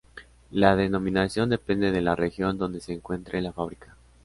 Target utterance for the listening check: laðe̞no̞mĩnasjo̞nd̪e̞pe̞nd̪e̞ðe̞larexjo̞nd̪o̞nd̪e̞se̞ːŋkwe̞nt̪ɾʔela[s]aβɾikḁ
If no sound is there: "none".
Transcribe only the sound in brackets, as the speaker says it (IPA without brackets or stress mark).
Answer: f